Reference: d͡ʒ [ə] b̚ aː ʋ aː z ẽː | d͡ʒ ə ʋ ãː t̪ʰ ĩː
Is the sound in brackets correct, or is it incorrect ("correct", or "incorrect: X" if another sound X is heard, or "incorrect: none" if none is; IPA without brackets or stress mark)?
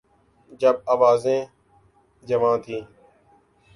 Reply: correct